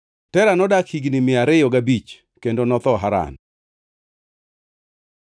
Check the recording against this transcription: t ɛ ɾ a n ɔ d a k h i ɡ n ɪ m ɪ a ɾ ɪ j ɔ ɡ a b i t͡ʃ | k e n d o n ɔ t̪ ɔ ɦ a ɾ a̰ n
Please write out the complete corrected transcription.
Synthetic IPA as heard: t ɛ ɾ a n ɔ d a k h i ɡ n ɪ m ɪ a ɾ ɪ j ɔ ɡ a b i t͡ʃ | k e n d o n ɔ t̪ ɔ ɦ a ɾ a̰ n